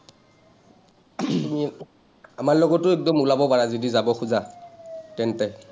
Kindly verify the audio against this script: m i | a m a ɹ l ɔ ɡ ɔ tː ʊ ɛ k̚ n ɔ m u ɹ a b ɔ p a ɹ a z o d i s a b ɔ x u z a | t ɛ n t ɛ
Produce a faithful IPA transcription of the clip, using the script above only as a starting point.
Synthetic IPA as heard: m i | a m a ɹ l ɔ ɡ ɔ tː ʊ ɛ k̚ d ɔ m u l a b ɔ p a ɹ a z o d i z a b ɔ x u z a | t ɛ n t ɛ

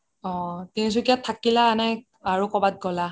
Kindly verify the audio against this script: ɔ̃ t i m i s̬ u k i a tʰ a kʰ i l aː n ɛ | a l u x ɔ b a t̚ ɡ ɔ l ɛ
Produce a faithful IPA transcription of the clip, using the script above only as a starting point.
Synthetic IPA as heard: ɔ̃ t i n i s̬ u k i a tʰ a k i l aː n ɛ | a ɹ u k ɔ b a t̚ ɡ ɔ l a

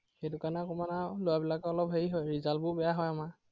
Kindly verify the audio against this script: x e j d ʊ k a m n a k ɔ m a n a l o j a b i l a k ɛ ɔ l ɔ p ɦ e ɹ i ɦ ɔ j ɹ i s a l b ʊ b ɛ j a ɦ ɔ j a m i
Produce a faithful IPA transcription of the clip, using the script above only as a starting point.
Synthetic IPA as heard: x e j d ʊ k a n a k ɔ m a n a l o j a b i l a k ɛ ɔ l ɔ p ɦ e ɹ i ɦ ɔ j ɹ i z a l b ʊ b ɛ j a ɦ ɔ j a m a

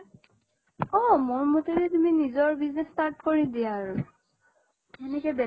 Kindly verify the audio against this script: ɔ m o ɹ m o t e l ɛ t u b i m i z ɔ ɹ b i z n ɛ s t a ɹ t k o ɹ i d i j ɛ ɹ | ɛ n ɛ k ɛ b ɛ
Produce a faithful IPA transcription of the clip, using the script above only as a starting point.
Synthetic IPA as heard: ɔ m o ɹ m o t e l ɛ t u m i n i z ɔ ɹ b i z n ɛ s t a ɹ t k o ɹ i d i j a ɹ | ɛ n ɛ k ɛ b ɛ

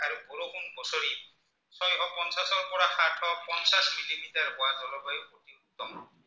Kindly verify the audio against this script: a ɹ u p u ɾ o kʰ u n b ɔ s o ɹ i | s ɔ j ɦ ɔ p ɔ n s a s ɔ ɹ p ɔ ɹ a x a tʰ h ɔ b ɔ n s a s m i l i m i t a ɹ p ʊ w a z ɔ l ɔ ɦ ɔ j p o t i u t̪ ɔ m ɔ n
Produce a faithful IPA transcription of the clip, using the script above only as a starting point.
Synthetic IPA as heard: a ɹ u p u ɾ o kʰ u n b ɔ s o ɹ i | s ɔ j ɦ ɔ p ɔ n s a s ɔ ɹ p ɔ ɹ a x a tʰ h ɔ p ɔ n s a s m i l i m i t a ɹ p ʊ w a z ɔ l ɔ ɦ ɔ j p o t i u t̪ ɔ m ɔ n

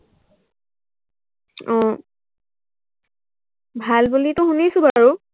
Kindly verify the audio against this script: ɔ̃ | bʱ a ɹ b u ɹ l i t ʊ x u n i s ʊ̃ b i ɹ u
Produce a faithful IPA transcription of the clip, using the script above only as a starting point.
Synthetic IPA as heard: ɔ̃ | bʱ a l b u l i t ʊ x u n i s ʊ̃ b a ɹ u

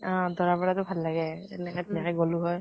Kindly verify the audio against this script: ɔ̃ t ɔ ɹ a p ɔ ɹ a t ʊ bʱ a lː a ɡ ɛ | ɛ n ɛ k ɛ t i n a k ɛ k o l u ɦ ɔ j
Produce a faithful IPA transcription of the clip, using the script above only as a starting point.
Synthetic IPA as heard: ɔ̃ d ɔ ɹ a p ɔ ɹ a t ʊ bʱ a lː a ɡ ɛ | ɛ n ɛ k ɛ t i n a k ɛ ɡ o l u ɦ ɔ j

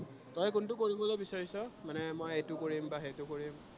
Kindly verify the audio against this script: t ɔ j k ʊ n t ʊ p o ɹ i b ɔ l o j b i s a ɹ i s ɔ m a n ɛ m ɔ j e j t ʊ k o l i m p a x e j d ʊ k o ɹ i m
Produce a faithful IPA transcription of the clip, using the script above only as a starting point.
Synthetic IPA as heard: t ɔ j k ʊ n t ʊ k o ɹ i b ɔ l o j b i s a ɹ i s ɔ m a n ɛ m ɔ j e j t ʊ k o ɹ i m b a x e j t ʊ k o ɹ i m

